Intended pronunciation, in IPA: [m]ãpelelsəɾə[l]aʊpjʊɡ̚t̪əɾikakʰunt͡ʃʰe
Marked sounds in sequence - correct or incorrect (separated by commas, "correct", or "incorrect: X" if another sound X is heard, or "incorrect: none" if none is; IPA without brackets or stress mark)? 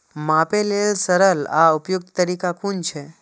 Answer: correct, correct